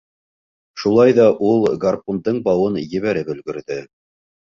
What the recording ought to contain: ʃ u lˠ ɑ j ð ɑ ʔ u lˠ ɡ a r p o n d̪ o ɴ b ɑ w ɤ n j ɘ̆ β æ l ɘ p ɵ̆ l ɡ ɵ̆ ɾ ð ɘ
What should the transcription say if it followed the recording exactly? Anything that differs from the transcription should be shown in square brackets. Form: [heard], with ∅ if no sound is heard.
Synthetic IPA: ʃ u lˠ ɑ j ð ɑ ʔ u lˠ ɡ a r p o n d̪ [ɤ] ɴ b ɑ w ɤ n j ɘ̆ β æ [ɾ] ɘ p ɵ̆ l ɡ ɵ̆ ɾ ð ɘ